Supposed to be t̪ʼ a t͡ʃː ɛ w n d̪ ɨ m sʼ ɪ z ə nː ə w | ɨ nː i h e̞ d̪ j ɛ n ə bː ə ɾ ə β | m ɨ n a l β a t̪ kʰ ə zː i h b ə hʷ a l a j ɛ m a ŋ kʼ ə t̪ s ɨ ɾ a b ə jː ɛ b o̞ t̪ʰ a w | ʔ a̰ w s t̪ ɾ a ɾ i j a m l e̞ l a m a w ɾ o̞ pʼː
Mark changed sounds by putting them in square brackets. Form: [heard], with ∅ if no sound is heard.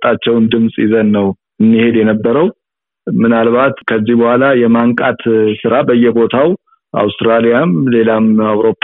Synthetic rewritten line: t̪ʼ a t͡ʃː ɛ w n d̪ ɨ m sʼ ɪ z ə nː ə w | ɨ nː i h e̞ d̪ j ɛ n ə bː ə ɾ ə [w] | m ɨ n a l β a t̪ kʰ ə zː i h b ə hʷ a l a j ɛ m a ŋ kʼ [a] t̪ s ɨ ɾ a b ə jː ɛ b o̞ t̪ʰ a w | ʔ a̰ w s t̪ ɾ a [l] i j a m l e̞ l a m a w ɾ o̞ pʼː